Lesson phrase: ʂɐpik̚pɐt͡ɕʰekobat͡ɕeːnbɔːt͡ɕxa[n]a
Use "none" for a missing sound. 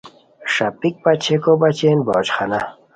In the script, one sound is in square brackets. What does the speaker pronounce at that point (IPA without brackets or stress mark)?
n